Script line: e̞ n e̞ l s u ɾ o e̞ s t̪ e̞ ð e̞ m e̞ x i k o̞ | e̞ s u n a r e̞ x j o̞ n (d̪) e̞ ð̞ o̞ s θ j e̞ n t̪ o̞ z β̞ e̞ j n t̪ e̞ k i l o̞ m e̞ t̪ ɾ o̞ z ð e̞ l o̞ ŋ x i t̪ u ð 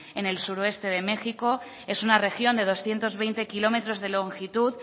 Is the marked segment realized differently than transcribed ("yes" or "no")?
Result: no